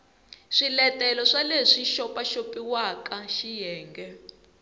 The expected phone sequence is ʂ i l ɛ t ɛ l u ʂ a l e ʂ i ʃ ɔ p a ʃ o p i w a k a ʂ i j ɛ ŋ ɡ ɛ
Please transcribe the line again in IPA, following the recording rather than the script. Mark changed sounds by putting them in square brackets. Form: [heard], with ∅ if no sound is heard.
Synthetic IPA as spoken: ʂ i l ɛ t ɛ l [ɔ] ʂ a l e ʂ i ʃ ɔ p a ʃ o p i w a k a [ʃ] i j [ɛː] ŋ ɡ ɛ